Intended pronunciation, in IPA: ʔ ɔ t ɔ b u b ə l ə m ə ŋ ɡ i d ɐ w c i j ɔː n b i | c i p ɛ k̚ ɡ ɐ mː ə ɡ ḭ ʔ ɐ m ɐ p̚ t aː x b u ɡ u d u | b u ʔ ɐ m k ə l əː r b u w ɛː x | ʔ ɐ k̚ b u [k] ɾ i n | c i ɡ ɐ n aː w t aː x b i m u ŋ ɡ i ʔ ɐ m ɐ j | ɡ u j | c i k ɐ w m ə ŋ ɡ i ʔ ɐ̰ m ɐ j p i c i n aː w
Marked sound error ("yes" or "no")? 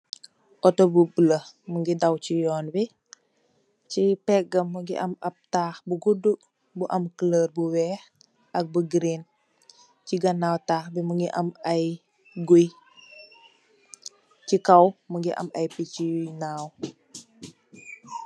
yes